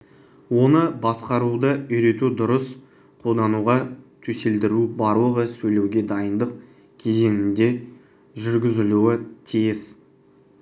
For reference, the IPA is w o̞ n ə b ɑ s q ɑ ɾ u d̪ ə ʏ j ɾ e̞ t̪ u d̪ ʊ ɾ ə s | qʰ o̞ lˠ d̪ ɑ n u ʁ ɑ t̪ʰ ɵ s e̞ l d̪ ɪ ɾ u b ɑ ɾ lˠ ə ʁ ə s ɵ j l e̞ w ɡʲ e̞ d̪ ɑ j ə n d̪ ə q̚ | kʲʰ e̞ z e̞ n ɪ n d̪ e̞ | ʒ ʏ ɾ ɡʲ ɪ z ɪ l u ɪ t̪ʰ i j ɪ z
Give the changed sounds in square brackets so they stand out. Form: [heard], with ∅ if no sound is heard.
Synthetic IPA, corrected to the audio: w o̞ n ə b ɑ s q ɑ ɾ u d̪ ə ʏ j ɾ e̞ t̪ u d̪ ʊ ɾ ə s | qʰ o̞ lˠ d̪ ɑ n u ʁ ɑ t̪ʰ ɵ s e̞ l d̪ ɪ ɾ u b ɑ ɾ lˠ ə ʁ ə s ɵ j l e̞ w ɡʲ e̞ d̪ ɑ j ə n d̪ ə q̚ | kʲʰ e̞ z e̞ n ɪ n d̪ e̞ | ʒ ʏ ɾ ɡʲ ɪ z ɪ l u ɪ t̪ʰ i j ɪ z

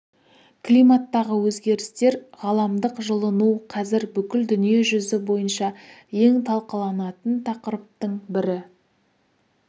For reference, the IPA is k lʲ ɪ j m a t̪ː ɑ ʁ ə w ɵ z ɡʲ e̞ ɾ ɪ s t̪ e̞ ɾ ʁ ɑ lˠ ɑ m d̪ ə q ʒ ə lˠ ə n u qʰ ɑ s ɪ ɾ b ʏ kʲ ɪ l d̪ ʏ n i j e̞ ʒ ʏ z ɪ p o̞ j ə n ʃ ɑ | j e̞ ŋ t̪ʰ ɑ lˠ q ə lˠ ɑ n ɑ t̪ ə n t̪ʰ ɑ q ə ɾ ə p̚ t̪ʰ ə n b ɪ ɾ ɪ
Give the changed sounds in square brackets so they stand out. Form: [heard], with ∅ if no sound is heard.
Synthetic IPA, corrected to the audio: k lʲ [i] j m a t̪ː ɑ ʁ ə w ɵ z ɡʲ e̞ ɾ ɪ s t̪ e̞ ɾ ʁ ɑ lˠ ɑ m d̪ ə q ʒ ə lˠ ə n u qʰ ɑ [z] ɪ ɾ b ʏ kʲ ɪ l d̪ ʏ n i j e̞ ʒ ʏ z ɪ [b] o̞ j ə n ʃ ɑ | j e̞ ŋ t̪ʰ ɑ lˠ q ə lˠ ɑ n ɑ t̪ ə n t̪ʰ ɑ q ə ɾ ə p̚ [t̪] ə [ɴ] b ɪ ɾ ɪ

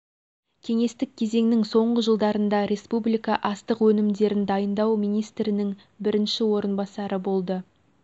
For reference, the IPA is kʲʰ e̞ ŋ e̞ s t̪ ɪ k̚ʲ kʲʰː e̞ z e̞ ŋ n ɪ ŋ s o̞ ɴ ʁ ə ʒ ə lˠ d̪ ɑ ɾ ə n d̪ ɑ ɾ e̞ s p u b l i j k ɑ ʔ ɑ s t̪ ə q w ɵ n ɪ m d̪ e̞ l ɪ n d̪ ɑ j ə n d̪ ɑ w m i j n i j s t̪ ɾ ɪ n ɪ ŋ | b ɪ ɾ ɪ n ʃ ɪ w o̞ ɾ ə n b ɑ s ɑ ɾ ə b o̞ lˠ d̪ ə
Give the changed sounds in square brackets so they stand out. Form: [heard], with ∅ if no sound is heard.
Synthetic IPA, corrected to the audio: kʲʰ e̞ ŋ e̞ s t̪ ɪ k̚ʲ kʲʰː e̞ z e̞ ŋ n ɪ ŋ s o̞ ɴ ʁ ə ʒ ə lˠ d̪ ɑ ɾ ə n d̪ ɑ ɾ e̞ s p u b l i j k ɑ ʔ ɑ s t̪ ə q w ɵ n ɪ m d̪ e̞ [ɾ] ɪ n d̪ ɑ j ə n d̪ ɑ w m i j n i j s t̪ ɾ ɪ n ɪ ŋ | b ɪ ɾ ɪ n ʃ ɪ w o̞ ɾ ə n b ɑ s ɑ ɾ ə b o̞ lˠ d̪ ə

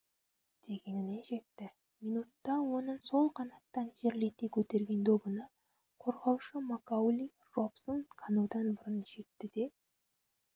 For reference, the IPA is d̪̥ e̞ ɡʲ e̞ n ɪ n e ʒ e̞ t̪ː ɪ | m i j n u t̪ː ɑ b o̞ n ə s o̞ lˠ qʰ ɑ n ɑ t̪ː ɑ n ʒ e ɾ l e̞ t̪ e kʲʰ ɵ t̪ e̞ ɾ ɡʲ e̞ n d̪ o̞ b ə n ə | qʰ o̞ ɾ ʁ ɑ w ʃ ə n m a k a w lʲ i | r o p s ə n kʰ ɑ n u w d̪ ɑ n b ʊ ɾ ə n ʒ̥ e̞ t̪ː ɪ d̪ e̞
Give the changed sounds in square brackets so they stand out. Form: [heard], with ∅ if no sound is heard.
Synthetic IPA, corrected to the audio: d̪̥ e̞ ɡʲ e̞ n ɪ n e ʒ e̞ t̪ː ɪ | m i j n u t̪ː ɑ [w] o̞ n ə s o̞ lˠ qʰ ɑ n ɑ t̪ː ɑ n ʒ e ɾ l e̞ t̪ e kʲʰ ɵ t̪ e̞ ɾ ɡʲ e̞ n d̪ o̞ b ə n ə | qʰ o̞ ɾ ʁ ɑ w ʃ ə [∅] m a k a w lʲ i | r o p s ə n kʰ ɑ n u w d̪ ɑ n b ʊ ɾ ə n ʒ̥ e̞ t̪ː ɪ d̪ e̞

